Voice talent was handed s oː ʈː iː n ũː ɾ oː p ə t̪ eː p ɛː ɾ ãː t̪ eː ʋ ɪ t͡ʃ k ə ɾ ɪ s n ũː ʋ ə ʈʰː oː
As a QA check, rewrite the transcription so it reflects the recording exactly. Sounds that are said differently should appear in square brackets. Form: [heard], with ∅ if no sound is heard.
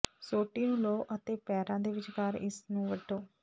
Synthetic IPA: s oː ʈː iː n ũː [l] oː [ʔ] ə t̪ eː p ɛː ɾ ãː [d̪] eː ʋ ɪ t͡ʃ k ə ɾ ɪ s n ũː ʋ ə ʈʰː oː